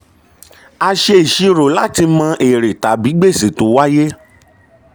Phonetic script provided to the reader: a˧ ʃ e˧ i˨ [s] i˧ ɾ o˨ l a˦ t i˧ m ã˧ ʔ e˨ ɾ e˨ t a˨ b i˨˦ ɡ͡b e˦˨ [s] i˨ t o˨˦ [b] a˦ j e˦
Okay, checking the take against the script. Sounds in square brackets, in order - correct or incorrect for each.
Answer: incorrect, correct, incorrect

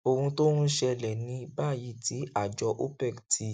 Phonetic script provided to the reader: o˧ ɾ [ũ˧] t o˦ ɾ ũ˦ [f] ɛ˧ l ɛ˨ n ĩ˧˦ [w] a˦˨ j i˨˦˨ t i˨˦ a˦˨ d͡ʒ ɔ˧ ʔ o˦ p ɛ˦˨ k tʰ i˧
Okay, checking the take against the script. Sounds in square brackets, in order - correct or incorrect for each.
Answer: correct, incorrect, incorrect

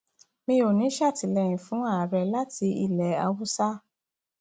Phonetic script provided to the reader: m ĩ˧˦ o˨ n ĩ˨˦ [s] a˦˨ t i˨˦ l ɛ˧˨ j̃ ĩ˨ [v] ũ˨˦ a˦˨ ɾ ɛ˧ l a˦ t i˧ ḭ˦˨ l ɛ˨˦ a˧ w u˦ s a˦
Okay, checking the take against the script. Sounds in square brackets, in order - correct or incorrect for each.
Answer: incorrect, incorrect

